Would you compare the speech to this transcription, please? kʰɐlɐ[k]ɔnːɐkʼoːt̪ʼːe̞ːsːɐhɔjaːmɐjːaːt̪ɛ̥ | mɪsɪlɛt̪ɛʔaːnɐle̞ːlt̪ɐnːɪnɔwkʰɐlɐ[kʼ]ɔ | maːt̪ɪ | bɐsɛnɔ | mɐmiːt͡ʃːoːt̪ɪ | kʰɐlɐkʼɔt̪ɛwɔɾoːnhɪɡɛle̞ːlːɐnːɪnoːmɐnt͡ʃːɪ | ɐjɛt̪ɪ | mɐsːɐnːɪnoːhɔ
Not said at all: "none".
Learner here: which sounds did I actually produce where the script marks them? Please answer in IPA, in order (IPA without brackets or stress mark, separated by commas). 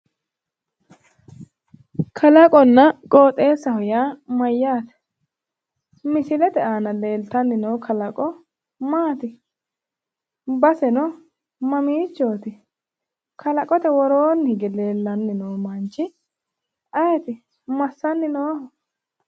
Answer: kʼ, kʼ